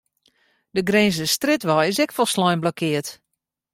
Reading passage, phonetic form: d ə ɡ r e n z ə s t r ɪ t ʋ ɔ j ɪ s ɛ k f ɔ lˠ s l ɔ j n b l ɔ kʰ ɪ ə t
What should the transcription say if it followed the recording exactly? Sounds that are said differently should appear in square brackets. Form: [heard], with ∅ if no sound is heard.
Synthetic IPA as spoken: d ə ɡ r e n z ə s t r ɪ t ʋ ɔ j ɪ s ɛ k f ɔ lˠ s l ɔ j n b l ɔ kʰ ɪ ə t